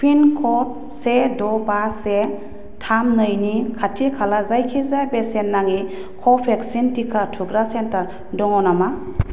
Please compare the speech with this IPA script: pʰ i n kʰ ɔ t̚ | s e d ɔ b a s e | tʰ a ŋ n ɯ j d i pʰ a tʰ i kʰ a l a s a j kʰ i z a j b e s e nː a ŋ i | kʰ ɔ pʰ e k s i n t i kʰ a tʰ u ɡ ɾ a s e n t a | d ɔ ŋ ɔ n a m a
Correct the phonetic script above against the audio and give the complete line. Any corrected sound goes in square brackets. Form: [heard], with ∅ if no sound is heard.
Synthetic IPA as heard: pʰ i n kʰ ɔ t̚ | s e d ɔ b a s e | tʰ a [m] n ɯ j [n] i [kʰ] a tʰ i kʰ a l a [z] a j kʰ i z a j b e s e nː a ŋ i | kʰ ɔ pʰ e k s i n t i kʰ a tʰ u ɡ ɾ a s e n t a | d ɔ ŋ ɔ n a m a